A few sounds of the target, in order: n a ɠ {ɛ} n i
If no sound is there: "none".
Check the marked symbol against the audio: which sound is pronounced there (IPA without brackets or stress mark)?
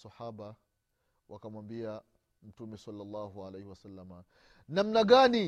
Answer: a